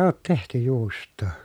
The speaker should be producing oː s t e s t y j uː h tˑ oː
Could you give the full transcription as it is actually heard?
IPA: oː t t e h t y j uː s tˑ oː